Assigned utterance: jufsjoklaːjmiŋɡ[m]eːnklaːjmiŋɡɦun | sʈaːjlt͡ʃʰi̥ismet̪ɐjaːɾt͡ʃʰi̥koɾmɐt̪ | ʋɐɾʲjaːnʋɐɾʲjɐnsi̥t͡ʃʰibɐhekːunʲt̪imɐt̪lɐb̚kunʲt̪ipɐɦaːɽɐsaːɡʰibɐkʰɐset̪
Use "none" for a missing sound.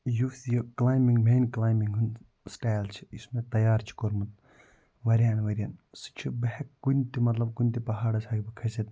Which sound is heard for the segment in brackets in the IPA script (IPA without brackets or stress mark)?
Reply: m